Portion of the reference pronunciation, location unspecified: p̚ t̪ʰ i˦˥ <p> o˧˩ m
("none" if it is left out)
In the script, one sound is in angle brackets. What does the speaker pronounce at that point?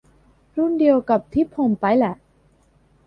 pʰ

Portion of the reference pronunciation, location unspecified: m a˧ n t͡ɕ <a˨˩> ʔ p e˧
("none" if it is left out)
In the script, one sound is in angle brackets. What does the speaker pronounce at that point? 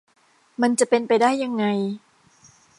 a˨˩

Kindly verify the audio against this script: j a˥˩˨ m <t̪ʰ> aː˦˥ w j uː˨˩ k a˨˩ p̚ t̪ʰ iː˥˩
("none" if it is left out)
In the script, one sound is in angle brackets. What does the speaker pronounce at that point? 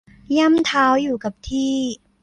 t̪ʰ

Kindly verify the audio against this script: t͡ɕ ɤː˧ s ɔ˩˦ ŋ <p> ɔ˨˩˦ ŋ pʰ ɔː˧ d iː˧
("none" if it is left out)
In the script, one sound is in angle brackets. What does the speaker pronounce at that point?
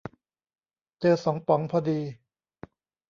p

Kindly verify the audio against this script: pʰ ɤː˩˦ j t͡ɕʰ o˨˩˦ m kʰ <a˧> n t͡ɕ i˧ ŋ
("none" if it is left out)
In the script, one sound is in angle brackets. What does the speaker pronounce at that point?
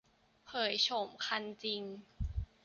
a˧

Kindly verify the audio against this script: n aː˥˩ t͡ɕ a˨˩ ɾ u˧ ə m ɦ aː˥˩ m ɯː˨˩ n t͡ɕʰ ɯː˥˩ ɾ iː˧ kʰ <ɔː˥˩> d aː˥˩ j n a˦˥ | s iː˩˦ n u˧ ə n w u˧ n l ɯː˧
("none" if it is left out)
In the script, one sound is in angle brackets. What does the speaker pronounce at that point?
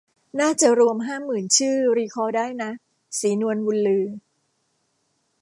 ɔː˧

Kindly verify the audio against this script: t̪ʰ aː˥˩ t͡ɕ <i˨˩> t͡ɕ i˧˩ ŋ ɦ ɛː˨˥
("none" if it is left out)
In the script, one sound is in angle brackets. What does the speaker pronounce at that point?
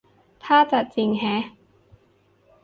a˨˩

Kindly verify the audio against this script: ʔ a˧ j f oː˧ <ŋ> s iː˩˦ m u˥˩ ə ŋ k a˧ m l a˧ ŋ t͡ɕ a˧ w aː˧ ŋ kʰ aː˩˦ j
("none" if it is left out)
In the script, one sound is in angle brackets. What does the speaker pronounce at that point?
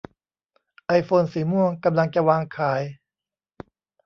n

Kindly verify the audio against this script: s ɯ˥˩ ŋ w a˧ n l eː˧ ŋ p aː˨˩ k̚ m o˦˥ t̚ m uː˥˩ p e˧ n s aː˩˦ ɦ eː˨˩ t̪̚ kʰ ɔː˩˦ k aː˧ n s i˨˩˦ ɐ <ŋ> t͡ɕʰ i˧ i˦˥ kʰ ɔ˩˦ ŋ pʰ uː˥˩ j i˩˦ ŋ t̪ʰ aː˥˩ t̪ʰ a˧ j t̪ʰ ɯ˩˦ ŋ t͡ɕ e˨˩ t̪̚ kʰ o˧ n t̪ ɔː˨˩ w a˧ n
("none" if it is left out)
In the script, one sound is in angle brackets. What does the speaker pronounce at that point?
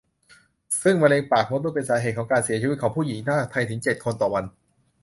none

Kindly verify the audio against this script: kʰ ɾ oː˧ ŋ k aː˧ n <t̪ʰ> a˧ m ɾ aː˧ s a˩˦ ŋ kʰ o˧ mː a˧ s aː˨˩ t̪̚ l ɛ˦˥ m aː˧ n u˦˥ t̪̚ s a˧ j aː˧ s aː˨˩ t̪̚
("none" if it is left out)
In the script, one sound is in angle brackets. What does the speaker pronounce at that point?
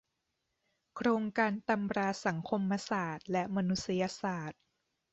t̪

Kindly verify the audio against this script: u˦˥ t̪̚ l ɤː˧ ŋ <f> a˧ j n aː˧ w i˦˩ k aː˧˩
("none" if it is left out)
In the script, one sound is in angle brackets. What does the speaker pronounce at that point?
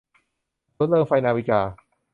f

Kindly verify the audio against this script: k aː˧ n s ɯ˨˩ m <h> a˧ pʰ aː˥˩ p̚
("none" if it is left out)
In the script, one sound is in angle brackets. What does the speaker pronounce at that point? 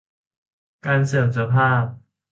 s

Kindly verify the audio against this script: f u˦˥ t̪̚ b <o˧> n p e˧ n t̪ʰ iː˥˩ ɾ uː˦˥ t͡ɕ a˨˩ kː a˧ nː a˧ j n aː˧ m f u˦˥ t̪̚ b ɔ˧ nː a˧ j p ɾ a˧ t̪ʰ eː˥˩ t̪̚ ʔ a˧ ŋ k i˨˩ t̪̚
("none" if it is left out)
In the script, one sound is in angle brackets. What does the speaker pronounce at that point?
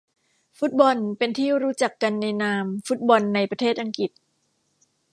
ɔ˧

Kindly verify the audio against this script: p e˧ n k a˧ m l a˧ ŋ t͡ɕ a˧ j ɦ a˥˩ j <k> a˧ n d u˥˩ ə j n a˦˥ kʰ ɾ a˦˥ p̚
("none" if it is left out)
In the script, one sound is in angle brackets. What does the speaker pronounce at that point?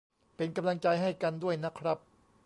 k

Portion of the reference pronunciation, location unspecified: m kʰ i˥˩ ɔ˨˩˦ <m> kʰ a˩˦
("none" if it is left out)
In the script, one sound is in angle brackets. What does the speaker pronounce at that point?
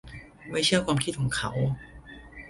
ŋ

